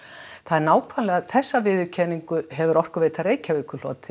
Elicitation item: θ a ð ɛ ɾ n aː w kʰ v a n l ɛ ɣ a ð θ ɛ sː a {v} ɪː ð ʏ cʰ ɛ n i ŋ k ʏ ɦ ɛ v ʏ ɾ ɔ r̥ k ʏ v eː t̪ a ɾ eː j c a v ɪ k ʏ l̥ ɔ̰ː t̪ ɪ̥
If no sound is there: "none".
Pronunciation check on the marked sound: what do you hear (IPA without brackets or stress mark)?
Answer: v